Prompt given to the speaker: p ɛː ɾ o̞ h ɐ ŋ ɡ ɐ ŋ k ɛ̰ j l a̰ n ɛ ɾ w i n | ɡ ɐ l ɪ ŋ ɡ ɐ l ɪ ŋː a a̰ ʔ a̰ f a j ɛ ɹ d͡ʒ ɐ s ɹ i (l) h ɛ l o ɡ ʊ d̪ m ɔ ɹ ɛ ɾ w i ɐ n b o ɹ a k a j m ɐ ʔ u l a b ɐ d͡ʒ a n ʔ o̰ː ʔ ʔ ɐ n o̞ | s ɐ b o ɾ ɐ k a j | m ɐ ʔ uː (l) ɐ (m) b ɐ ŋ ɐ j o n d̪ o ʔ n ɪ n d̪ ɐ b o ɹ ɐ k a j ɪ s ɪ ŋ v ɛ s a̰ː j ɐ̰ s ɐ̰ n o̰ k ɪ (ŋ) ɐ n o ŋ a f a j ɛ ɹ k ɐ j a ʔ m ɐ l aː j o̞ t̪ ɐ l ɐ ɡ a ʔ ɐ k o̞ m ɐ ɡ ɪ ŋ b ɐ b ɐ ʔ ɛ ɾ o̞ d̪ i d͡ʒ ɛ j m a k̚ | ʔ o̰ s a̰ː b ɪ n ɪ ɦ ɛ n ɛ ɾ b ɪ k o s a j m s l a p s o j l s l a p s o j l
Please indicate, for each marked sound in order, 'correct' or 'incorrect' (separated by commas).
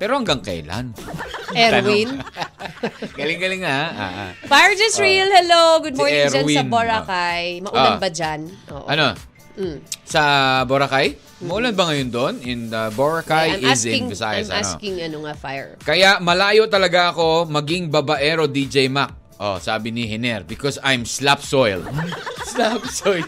correct, correct, incorrect, correct